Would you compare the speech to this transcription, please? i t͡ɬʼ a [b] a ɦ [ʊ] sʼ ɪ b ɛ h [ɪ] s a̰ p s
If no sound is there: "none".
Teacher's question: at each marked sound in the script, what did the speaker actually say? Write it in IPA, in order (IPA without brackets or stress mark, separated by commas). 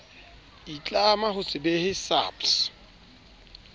m, ʊ, ɪ